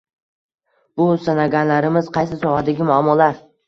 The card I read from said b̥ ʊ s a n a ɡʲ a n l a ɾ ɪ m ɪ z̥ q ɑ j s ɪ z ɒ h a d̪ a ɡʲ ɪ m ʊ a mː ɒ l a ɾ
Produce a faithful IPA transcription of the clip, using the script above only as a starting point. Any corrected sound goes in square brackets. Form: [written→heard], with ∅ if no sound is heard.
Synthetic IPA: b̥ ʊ s a n a ɡʲ a n l a ɾ ɪ m ɪ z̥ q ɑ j s ɪ [z→s] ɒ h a d̪ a ɡʲ ɪ m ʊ a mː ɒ l a ɾ